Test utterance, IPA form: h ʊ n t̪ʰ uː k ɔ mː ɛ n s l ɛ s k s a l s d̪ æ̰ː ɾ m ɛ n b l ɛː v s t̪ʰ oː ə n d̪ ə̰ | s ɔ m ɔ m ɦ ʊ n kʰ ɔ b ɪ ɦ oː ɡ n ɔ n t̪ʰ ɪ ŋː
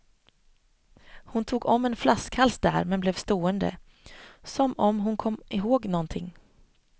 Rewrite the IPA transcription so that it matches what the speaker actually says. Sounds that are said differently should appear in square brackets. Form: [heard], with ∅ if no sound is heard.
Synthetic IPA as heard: h ʊ n t̪ʰ uː [ɡ] ɔ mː ɛ n [f] l [a] s k [h] a l s d̪ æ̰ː ɾ m ɛ n b l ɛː v s [t̪] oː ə n d̪ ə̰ | s ɔ m ɔ m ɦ ʊ n kʰ ɔ [m] ɪ ɦ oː ɡ n ɔ n t̪ʰ ɪ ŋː